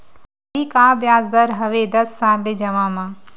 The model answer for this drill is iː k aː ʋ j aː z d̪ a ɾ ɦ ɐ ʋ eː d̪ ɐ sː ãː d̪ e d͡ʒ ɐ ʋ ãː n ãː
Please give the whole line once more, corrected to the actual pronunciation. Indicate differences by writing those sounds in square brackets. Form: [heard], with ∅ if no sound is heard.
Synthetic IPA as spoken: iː k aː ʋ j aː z d̪ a ɾ ɦ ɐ ʋ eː d̪ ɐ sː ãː d̪ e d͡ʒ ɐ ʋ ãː [m] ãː

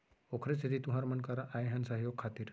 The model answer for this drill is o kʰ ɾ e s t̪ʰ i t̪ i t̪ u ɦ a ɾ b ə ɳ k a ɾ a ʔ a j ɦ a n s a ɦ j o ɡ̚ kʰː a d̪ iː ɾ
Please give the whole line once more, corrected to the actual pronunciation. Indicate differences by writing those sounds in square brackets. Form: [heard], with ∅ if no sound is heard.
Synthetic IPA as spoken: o kʰ ɾ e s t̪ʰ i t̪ i t̪ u ɦ a ɾ [m] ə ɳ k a ɾ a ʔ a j ɦ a n s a ɦ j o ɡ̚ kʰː a [t̪] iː ɾ

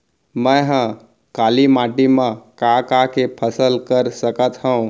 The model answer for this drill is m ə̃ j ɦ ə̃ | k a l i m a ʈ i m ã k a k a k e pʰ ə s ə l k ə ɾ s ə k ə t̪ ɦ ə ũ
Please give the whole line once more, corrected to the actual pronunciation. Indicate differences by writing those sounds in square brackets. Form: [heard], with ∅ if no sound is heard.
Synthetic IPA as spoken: m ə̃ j ɦ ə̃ | k a l i m a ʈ i m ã k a k a k e pʰ ə s ə l k ə ɾ s ə k ə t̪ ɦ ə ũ

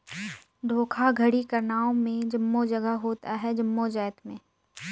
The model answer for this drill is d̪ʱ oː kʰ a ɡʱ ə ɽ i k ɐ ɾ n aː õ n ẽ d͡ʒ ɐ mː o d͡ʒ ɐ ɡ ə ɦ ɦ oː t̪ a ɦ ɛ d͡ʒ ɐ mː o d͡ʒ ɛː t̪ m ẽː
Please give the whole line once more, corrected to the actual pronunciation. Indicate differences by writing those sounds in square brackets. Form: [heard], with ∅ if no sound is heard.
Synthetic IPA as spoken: d̪ʱ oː kʰ a ɡʱ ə ɽ i k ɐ ɾ n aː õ [m] ẽ d͡ʒ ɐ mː o d͡ʒ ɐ ɡ ə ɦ ɦ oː t̪ a ɦ ɛ d͡ʒ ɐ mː o d͡ʒ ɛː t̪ m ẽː

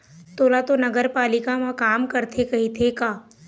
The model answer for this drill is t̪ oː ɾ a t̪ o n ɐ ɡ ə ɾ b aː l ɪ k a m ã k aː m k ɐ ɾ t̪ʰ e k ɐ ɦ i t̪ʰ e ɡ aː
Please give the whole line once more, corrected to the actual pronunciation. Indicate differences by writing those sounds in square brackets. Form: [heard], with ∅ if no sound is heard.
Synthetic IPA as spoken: t̪ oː [l] a t̪ o n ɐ ɡ ə ɾ [p] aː l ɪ k a m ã k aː m k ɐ ɾ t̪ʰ e k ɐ ɦ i t̪ʰ e [k] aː

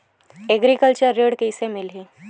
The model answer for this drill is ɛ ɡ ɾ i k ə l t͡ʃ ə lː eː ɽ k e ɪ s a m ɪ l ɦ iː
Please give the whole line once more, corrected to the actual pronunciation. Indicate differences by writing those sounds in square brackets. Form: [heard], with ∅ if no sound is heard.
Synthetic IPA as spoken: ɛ ɡ ɾ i k ə l t͡ʃ ə [ɾː] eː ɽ k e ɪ s [e] m ɪ l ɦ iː

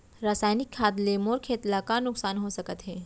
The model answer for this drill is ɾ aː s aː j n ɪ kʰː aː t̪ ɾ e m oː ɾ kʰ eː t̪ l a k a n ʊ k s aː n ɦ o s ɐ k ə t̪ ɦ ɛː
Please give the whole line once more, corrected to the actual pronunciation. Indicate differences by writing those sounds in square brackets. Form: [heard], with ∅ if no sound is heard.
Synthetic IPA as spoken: ɾ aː s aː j n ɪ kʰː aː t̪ [l] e m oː ɾ kʰ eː t̪ l a k a n ʊ k s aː n ɦ o s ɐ k ə t̪ ɦ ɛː

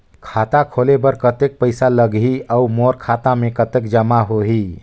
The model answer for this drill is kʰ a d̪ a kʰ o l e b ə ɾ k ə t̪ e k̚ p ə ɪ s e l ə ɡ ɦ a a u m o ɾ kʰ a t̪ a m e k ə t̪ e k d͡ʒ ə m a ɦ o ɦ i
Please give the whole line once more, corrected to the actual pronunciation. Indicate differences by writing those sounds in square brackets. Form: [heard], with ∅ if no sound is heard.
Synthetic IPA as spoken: kʰ a [t̪] a kʰ o l e b ə ɾ k ə t̪ e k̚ p ə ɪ s [a] l ə ɡ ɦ [i] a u m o ɾ kʰ a t̪ a m e k ə t̪ e k d͡ʒ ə m a ɦ o ɦ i

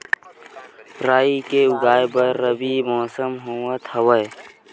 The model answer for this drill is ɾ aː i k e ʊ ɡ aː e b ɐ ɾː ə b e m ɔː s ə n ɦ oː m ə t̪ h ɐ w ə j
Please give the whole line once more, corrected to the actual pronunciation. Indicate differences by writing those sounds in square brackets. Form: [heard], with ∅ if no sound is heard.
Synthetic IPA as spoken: ɾ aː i k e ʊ ɡ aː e b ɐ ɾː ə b [i] m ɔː s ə [m] ɦ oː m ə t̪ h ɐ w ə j

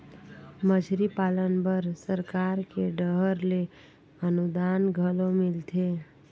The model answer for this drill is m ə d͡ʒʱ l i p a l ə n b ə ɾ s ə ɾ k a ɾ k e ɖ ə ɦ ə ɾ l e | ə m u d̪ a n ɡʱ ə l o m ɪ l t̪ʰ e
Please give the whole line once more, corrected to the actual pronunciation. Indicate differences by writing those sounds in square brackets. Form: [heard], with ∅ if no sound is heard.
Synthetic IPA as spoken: m ə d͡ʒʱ [ɾ] i p a l ə n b ə ɾ s ə ɾ k a ɾ k e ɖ ə ɦ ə ɾ l e | ə [n] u d̪ a n ɡʱ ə l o m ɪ l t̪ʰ e

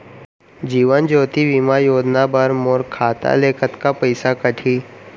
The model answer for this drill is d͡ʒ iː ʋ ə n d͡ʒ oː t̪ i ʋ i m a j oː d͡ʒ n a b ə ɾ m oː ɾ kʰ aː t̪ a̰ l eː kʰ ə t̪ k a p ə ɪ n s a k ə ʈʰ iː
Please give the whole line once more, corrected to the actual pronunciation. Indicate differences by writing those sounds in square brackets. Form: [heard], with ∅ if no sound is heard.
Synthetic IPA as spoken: d͡ʒ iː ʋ ə n d͡ʒ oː t̪ i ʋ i m a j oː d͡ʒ n a b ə ɾ m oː ɾ kʰ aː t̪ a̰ l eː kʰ ə t̪ k a p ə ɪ [∅] s a k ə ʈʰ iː

